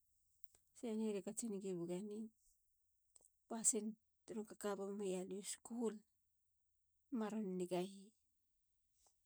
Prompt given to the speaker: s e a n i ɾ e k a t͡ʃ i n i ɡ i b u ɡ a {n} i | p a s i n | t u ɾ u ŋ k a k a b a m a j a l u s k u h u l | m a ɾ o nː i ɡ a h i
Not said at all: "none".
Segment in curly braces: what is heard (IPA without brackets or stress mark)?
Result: n